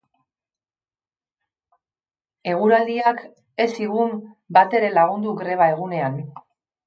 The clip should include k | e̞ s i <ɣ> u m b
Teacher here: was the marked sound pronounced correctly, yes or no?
yes